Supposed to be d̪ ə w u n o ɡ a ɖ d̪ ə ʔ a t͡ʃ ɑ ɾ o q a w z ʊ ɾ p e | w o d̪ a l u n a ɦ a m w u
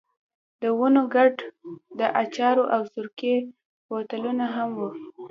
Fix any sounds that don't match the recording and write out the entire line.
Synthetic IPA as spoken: d̪ ə w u n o ɡ a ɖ d̪ ə ʔ a t͡ʃ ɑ ɾ o ʔ a w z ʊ ɾ k e | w o t̪ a l u n a ɦ a m w u